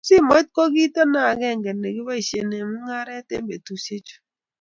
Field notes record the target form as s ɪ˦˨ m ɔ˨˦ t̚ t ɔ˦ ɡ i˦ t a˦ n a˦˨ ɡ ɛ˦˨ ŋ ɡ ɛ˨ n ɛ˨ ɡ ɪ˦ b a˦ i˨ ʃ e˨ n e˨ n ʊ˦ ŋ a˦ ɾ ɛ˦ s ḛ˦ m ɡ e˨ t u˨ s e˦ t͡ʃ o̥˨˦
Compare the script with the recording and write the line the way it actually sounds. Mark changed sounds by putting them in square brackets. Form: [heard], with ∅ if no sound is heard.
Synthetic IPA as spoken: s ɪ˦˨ m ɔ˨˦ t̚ [k] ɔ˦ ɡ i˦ t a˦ n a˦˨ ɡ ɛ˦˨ ŋ ɡ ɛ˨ n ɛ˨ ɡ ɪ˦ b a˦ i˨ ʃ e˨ n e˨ [m] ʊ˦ ŋ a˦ ɾ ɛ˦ [t] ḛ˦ m [b] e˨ t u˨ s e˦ t͡ʃ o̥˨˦